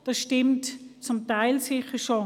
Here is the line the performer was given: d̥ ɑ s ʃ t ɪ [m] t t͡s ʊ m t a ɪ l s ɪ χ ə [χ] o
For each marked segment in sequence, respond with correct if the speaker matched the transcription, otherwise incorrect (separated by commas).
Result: correct, incorrect